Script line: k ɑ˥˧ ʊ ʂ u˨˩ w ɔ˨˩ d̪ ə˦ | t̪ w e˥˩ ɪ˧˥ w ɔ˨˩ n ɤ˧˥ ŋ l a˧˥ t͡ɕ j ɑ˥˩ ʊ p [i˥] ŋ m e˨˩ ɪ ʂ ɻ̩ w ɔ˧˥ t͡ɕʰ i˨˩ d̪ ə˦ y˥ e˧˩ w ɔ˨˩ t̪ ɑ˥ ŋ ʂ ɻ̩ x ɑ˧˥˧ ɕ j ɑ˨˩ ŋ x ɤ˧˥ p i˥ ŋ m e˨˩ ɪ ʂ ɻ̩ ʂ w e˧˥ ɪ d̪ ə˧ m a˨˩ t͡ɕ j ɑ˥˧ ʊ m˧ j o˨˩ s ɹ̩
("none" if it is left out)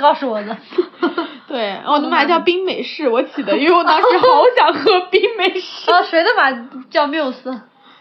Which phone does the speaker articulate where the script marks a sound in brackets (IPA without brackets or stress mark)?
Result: i˥